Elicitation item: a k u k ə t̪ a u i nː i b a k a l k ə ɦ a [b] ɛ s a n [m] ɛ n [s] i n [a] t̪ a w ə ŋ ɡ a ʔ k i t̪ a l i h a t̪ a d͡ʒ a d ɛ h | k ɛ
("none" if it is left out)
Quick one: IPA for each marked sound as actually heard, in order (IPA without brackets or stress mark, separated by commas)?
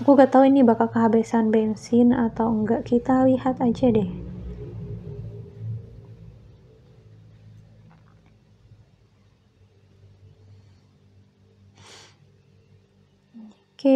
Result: b, b, s, a